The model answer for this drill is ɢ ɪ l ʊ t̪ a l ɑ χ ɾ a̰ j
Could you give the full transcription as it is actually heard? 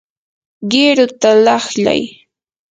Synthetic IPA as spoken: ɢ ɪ ɾ ʊ t̪ a l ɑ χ ʎ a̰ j